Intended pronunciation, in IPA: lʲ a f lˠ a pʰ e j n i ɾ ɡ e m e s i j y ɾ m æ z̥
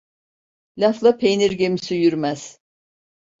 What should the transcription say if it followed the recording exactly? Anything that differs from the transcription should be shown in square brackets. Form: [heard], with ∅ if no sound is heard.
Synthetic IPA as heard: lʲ a f lˠ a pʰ e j n i ɾ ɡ e m [i] s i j y ɾ m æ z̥